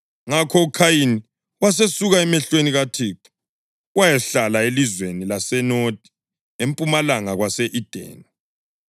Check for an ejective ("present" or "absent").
present